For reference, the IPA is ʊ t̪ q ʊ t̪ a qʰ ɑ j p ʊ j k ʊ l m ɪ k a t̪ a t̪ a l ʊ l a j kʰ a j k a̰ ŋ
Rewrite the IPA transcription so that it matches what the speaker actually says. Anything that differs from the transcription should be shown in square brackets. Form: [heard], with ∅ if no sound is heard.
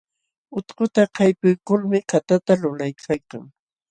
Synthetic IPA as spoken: ʊ t̪ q ʊ t̪ a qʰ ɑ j p ʊ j k ʊ l m ɪ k a t̪ a t̪ a l ʊ l a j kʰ a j k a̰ ŋ